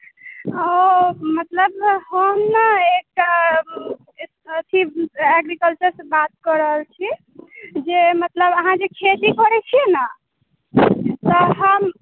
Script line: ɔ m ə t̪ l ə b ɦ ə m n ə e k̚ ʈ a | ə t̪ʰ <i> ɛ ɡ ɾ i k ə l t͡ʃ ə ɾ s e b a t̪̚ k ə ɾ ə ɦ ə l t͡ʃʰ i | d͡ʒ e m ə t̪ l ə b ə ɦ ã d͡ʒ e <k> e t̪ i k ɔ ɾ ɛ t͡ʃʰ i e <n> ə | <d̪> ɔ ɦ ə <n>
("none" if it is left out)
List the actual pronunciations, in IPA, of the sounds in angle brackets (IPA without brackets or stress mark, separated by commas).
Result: i, kʰ, n, t̪, m